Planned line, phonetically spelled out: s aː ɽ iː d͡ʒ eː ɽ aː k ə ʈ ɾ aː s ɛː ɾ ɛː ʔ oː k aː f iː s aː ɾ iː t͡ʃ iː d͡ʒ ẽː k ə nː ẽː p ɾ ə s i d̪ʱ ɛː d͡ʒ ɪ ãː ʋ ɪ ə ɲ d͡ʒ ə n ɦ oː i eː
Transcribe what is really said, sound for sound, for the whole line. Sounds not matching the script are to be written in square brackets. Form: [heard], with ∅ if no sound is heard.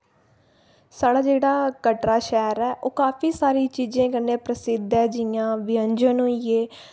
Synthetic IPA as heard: s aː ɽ [aː] d͡ʒ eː ɽ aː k ə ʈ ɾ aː [ʃ] ɛː ɾ ɛː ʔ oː k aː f iː s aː ɾ iː t͡ʃ iː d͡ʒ ẽː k ə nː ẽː p ɾ ə s [ɪ] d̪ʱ ɛː d͡ʒ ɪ ãː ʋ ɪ ə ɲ d͡ʒ ə n ɦ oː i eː